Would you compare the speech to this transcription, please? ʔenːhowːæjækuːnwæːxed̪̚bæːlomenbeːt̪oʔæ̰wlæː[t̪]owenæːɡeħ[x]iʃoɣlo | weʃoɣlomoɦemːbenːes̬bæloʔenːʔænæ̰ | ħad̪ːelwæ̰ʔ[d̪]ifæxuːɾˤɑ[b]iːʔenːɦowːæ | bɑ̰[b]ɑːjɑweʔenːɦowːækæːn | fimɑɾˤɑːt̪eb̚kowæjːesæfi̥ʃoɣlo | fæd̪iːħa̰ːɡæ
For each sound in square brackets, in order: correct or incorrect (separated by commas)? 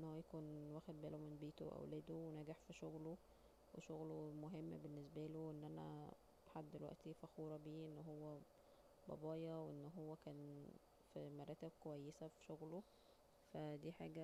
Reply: incorrect, incorrect, incorrect, correct, correct